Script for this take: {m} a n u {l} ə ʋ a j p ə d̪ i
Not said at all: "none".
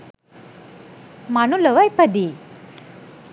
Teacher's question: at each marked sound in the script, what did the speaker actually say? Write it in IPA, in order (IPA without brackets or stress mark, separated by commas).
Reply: m, l